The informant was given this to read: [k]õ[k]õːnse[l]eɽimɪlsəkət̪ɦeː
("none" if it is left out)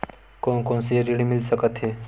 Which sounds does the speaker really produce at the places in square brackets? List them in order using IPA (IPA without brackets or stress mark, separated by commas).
k, k, ɾ